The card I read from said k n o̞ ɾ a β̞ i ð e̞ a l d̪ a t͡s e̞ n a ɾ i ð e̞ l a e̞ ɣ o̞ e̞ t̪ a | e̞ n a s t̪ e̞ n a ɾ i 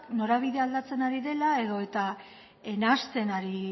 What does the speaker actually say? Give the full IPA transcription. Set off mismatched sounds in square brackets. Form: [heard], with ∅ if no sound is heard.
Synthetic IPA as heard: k n o̞ ɾ a β̞ i ð e̞ a l d̪ a t͡s e̞ n a ɾ i ð e̞ l a e̞ [ð] o̞ e̞ t̪ a | e̞ n a s t̪ e̞ n a ɾ i